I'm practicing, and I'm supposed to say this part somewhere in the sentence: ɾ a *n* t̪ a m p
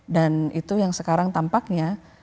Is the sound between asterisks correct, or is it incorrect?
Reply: incorrect